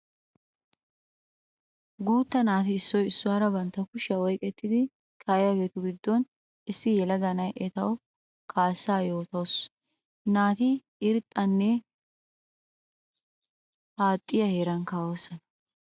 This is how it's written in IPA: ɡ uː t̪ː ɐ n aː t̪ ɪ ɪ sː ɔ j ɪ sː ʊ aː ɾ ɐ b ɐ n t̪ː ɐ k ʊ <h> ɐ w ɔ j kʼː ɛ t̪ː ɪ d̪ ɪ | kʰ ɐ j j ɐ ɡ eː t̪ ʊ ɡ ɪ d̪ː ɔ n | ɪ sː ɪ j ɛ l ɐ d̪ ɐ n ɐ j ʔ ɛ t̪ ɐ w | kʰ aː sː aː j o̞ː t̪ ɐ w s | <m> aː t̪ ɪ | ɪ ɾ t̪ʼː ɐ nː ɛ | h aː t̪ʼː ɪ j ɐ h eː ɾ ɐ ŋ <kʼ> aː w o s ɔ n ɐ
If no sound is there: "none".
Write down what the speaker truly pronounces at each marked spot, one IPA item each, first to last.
ʃ, n, k

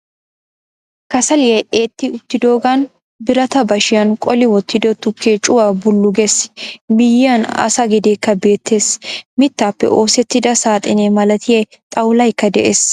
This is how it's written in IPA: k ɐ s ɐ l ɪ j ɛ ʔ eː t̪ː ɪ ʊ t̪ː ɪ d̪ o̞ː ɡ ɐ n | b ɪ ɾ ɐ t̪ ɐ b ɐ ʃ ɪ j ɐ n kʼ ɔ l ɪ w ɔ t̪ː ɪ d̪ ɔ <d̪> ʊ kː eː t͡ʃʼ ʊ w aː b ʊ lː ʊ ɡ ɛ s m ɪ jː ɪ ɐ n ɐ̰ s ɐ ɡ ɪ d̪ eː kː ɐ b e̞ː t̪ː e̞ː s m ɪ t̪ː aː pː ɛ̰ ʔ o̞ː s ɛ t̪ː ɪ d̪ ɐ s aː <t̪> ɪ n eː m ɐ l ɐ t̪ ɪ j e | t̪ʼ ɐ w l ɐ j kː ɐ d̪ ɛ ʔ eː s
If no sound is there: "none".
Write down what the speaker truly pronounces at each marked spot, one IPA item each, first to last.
t̪, t̪ʼ

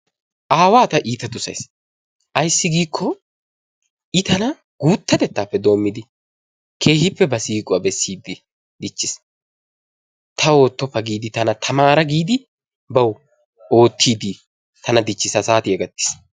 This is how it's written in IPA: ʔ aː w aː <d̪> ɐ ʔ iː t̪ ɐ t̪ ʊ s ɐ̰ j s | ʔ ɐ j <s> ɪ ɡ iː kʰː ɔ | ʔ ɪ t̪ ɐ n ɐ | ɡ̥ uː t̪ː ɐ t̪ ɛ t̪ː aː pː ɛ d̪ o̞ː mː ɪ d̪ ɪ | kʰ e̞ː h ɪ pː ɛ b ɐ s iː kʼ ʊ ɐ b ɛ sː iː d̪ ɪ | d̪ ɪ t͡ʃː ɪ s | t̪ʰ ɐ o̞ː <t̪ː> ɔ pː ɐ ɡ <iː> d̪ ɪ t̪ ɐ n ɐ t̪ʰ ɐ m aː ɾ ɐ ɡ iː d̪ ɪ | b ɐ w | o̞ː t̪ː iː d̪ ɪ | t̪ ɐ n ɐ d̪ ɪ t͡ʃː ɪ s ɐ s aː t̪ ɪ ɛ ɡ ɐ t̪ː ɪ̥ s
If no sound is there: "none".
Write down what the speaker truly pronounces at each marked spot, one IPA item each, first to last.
t̪, sː, t̪ː, iː

